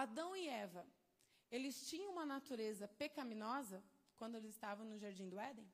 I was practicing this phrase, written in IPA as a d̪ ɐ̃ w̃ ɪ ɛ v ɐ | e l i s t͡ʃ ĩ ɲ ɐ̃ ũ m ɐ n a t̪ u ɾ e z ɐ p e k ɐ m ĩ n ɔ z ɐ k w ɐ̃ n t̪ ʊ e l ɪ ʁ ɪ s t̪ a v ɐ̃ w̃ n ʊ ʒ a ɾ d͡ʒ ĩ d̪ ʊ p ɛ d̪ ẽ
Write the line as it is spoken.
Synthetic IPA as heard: a d̪ ɐ̃ w̃ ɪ ɛ v ɐ | e l ɪ s t͡ʃ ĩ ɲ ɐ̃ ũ m ɐ n a t̪ u ɾ e z ɐ p e k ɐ m ĩ n ɔ z ɐ k w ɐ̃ n d̪ ʊ e l ɪ z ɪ s t̪ a v ɐ̃ w̃ n ʊ ʒ a ɾ d͡ʒ ĩ d̪ ʊ ɛ d̪ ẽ